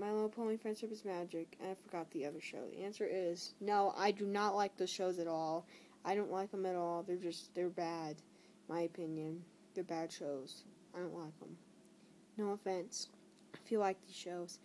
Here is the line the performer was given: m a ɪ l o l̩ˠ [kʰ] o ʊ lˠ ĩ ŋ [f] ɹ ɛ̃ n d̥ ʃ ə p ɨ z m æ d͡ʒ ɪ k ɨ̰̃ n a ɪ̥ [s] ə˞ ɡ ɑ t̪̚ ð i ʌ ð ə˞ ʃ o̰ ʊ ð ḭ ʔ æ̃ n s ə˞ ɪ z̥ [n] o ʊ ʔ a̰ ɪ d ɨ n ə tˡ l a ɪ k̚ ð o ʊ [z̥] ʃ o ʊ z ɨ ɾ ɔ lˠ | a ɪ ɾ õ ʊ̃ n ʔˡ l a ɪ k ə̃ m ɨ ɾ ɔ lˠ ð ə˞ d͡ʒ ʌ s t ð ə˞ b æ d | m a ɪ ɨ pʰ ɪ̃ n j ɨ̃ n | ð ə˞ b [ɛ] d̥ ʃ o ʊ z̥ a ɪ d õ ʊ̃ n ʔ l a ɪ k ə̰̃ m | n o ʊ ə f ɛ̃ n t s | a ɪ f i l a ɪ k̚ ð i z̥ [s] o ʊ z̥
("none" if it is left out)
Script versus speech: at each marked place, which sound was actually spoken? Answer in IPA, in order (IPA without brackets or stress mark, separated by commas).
pʰ, f, f, n, z̥, æ, ʃ